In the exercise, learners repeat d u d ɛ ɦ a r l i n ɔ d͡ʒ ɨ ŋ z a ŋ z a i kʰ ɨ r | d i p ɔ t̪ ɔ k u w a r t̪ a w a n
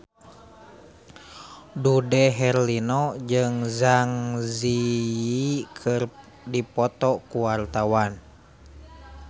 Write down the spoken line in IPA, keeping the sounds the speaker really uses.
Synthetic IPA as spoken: d u d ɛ ɦ ɛ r l i n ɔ d͡ʒ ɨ ŋ z a ŋ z i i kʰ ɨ r | d i p ɔ t̪ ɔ k u w a r t̪ a w a n